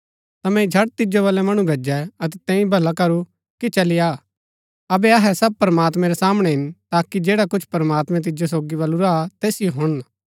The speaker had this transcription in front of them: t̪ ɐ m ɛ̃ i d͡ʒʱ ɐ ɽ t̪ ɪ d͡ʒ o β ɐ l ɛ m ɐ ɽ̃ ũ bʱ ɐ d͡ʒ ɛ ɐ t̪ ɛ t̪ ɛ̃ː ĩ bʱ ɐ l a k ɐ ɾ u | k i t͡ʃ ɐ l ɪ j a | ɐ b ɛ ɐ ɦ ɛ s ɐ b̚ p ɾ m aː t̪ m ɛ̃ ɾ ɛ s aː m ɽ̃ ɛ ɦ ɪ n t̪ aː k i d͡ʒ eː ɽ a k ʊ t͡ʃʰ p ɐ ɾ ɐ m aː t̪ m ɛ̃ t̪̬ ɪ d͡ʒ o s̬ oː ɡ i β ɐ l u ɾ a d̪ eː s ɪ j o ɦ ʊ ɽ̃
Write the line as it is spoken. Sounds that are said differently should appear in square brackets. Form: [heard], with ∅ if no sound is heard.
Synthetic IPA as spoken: t̪ ɐ m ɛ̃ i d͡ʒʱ ɐ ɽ t̪ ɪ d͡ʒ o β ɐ l ɛ m ɐ ɽ̃ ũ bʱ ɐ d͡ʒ ɛ ɐ t̪ ɛ t̪ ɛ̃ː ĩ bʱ ɐ l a k ɐ ɾ u | k i t͡ʃ ɐ l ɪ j a | ɐ b ɛ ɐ ɦ ɛ s ɐ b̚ p ɾ m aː t̪ m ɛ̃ ɾ ɛ s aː m ɽ̃ ɛ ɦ ɪ n t̪ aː k i d͡ʒ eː ɽ a k ʊ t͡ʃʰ p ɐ ɾ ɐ m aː t̪ m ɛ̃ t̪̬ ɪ d͡ʒ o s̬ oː ɡ i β ɐ l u ɾ a [t̪] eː s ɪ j o ɦ ʊ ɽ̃

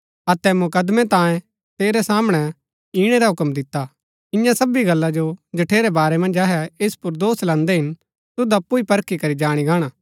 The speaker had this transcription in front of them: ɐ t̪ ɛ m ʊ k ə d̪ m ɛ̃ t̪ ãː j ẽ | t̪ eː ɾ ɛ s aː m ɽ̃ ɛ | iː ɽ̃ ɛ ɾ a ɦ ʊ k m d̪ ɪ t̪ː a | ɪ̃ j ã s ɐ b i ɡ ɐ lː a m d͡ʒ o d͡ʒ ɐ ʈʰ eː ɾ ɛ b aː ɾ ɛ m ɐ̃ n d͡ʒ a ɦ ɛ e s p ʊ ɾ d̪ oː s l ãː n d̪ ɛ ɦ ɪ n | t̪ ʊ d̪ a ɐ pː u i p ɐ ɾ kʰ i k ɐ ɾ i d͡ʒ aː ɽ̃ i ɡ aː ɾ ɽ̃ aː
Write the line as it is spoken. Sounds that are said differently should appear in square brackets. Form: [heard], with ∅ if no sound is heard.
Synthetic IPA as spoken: ɐ t̪ ɛ m ʊ k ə d̪ m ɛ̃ t̪ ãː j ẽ | t̪ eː ɾ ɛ s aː m ɽ̃ ɛ | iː ɽ̃ ɛ ɾ a ɦ ʊ k m d̪ ɪ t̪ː a | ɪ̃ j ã s ɐ b i ɡ ɐ lː a [∅] d͡ʒ o d͡ʒ ɐ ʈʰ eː ɾ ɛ b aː ɾ ɛ m ɐ̃ n d͡ʒ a ɦ ɛ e s p ʊ ɾ d̪ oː s l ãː n d̪ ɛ ɦ ɪ n | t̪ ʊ d̪ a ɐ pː u i p ɐ ɾ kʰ i k ɐ ɾ i d͡ʒ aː ɽ̃ i ɡ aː [∅] ɽ̃ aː

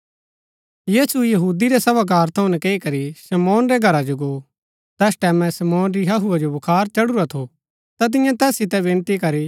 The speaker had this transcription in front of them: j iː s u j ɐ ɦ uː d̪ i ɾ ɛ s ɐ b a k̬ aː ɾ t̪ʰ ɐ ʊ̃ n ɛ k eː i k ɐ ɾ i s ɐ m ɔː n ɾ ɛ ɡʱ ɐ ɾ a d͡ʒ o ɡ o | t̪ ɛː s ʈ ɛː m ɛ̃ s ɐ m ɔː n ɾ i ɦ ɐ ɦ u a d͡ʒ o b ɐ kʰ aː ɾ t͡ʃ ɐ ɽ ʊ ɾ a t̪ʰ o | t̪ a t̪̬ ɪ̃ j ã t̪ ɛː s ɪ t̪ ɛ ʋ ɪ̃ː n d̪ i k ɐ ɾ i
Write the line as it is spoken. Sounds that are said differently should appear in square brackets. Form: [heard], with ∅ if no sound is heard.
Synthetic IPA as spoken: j iː s u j ɐ ɦ uː d̪ i ɾ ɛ s ɐ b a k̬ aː ɾ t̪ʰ ɐ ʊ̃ n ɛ k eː i k ɐ ɾ i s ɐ m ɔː n ɾ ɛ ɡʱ ɐ ɾ a d͡ʒ o ɡ o | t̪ ɛː s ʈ ɛː m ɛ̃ s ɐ m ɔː n ɾ i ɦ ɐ ɦ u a d͡ʒ o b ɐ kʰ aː ɾ t͡ʃ ɐ ɽ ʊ ɾ a t̪ʰ o | t̪ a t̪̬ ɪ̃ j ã t̪ ɛː s ɪ t̪ ɛ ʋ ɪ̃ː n [t̪] i k ɐ ɾ i

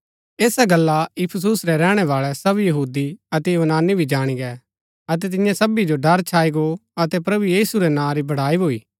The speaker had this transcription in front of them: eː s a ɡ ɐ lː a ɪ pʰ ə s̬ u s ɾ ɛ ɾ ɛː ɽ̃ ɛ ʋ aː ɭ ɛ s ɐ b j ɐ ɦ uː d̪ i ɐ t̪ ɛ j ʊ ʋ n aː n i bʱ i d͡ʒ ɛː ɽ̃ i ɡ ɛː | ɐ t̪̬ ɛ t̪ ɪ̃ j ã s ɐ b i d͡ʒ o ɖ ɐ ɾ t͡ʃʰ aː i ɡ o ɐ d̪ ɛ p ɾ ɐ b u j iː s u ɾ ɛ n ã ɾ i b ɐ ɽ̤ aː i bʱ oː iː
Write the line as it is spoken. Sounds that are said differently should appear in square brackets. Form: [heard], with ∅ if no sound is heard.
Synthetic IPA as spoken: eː s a ɡ ɐ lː a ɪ pʰ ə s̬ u s ɾ ɛ ɾ ɛː ɽ̃ ɛ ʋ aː ɭ ɛ s ɐ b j ɐ ɦ uː d̪ i ɐ t̪ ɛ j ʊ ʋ n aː n i bʱ i d͡ʒ [aː] ɽ̃ i ɡ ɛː | ɐ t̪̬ ɛ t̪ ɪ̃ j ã s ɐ b i d͡ʒ o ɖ ɐ ɾ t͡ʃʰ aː i ɡ o ɐ [t̪] ɛ p ɾ ɐ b u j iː s u ɾ ɛ n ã ɾ i b ɐ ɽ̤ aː i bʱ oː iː

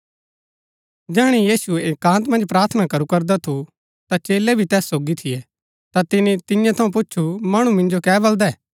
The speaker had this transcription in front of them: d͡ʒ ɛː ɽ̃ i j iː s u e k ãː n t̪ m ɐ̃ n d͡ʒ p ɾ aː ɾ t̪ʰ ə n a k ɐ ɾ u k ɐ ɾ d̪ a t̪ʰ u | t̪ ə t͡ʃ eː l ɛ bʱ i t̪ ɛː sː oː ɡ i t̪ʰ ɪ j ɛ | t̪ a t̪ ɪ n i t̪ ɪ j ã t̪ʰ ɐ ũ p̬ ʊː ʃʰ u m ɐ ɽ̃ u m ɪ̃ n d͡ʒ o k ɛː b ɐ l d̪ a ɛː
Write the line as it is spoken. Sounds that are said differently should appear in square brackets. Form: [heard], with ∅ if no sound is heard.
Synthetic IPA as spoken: d͡ʒ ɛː ɽ̃ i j iː s u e k ãː n t̪ m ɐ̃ n d͡ʒ p ɾ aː ɾ t̪ʰ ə n a k ɐ ɾ u k ɐ ɾ d̪ a t̪ʰ u | t̪ [a] t͡ʃ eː l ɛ bʱ i t̪ ɛː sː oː ɡ i t̪ʰ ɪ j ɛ | t̪ a t̪ ɪ n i t̪ ɪ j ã t̪ʰ ɐ ũ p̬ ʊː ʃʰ u m ɐ ɽ̃ u m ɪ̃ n d͡ʒ o k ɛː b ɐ l d̪ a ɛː

